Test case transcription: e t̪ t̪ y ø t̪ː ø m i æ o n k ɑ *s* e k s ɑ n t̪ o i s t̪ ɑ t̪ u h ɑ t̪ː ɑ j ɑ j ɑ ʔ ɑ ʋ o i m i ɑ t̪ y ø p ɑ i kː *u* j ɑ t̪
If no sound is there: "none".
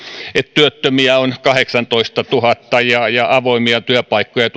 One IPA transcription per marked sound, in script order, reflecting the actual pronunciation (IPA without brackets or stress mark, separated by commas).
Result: h, o